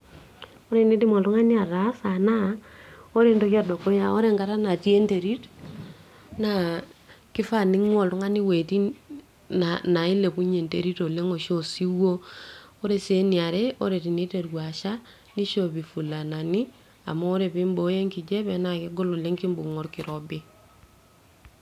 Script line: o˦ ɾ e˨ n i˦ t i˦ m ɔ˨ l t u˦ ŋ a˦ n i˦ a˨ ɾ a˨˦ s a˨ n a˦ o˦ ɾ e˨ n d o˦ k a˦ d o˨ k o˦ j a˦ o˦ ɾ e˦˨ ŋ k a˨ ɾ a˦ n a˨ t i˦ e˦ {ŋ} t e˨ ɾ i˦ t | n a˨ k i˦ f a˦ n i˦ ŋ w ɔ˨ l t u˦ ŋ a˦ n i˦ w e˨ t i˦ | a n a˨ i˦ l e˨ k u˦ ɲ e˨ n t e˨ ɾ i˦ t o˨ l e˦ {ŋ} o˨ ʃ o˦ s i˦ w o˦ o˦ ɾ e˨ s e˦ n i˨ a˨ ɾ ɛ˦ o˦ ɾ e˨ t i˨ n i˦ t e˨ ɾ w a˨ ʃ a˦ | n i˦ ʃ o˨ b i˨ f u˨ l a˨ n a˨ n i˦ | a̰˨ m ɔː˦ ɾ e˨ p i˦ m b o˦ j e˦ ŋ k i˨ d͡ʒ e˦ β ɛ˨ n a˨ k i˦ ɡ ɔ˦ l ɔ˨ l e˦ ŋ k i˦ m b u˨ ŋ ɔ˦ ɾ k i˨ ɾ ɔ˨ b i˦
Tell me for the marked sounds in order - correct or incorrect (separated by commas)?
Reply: incorrect, correct